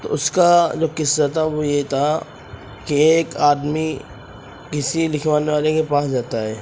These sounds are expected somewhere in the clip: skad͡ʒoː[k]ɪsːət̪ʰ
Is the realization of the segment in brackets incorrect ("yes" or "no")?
no